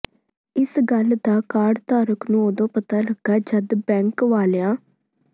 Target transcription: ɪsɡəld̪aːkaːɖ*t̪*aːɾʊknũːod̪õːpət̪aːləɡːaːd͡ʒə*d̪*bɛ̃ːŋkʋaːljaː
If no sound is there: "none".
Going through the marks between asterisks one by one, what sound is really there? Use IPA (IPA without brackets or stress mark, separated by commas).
t̪, d̪